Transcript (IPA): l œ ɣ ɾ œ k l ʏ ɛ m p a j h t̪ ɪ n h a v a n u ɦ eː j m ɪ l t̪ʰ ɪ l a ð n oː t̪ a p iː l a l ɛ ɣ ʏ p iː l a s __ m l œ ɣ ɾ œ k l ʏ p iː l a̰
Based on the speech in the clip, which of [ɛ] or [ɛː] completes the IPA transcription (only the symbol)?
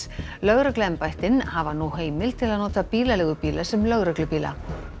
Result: ɛ